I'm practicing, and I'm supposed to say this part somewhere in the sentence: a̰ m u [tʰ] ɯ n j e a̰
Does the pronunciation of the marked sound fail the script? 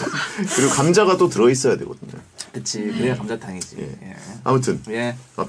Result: no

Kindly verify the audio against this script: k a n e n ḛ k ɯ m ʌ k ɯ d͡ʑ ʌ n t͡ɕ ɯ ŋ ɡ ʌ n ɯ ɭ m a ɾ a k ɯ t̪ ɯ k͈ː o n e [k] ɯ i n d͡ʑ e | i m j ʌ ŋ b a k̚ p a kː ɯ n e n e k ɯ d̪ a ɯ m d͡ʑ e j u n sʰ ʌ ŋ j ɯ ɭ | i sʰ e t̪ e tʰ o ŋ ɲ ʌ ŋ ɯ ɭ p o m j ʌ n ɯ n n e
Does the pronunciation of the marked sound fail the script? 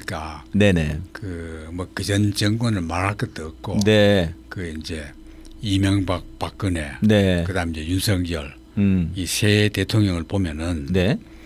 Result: no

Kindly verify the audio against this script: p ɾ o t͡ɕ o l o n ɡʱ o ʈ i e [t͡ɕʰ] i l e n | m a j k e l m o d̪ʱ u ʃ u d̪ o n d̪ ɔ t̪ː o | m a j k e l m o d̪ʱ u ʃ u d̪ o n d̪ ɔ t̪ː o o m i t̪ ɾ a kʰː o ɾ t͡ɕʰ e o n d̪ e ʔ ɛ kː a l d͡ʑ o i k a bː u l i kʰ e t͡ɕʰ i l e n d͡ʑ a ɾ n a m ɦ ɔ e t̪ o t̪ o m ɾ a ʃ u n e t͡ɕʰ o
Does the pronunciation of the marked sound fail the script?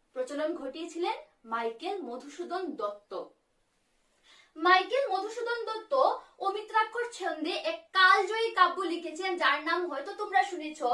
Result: no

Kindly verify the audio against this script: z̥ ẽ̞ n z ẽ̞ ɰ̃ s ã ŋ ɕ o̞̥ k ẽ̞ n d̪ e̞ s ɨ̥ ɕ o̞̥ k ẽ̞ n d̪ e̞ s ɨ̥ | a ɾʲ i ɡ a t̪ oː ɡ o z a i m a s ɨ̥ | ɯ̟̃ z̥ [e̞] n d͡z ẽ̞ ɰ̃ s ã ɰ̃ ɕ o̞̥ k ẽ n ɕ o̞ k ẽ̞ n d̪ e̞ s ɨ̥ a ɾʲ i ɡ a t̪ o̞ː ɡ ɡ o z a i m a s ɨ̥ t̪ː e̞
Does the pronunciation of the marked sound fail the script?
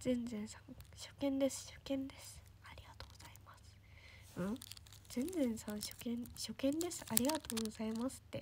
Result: yes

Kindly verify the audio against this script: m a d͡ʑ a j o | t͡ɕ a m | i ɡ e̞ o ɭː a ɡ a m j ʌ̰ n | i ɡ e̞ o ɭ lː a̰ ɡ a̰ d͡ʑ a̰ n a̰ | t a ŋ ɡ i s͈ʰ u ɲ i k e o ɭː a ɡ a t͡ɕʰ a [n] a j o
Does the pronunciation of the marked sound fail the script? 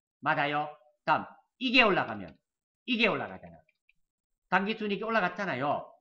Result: no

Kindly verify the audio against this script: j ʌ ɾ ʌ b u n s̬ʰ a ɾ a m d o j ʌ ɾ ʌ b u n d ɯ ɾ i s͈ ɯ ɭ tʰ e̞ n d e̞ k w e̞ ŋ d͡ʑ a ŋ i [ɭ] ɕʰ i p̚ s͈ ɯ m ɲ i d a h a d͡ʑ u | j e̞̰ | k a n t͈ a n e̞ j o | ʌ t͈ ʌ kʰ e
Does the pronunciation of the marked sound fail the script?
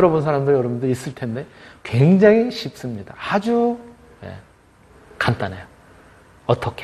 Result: yes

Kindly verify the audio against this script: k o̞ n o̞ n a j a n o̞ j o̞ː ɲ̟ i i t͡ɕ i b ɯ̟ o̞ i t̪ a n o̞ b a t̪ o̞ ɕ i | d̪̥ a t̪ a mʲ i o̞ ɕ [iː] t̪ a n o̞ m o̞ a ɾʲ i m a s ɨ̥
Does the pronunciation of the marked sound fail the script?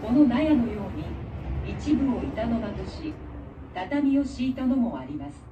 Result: no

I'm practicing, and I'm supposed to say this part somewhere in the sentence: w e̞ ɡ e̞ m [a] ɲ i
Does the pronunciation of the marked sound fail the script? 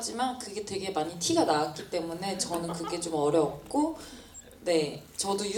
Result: no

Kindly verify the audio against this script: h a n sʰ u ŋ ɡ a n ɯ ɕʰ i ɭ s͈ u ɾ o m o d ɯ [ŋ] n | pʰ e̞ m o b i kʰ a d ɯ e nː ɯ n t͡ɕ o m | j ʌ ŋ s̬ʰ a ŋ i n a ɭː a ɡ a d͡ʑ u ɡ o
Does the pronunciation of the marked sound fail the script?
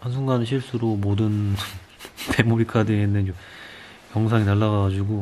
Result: yes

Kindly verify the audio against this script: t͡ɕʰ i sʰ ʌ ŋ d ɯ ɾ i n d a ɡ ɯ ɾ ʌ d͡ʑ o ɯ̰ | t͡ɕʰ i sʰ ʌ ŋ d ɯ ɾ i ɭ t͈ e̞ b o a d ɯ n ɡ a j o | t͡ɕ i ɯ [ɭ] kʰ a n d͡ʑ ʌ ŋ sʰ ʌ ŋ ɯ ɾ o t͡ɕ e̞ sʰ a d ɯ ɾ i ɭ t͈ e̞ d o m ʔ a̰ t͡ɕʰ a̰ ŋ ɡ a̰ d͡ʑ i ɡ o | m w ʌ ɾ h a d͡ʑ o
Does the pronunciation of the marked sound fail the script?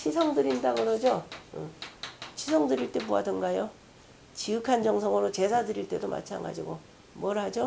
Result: yes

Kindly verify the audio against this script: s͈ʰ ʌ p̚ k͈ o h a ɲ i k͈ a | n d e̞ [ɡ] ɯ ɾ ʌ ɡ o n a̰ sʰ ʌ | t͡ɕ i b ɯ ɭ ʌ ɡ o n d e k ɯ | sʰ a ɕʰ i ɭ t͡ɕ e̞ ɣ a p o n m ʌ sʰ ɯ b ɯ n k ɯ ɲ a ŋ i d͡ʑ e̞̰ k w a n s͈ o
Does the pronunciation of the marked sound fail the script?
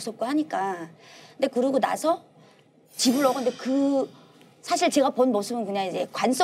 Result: yes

